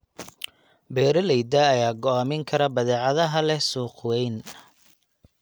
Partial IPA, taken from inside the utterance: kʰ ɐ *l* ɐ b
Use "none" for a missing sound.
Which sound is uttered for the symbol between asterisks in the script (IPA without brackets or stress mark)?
ɾ